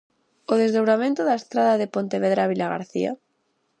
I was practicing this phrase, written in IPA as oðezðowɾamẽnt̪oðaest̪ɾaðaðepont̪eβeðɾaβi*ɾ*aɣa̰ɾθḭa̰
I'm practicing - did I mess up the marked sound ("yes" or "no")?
yes